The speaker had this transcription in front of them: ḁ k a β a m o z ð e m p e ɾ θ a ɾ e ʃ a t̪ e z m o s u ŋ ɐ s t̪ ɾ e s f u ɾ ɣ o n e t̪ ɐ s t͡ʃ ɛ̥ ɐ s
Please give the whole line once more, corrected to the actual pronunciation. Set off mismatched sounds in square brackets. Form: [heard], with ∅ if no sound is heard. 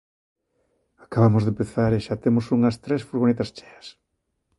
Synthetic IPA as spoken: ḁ k a β a m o z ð e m p e [∅] θ a ɾ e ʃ a t̪ e [∅] m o s u ŋ ɐ s t̪ ɾ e s f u ɾ ɣ o n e t̪ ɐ s t͡ʃ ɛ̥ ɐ s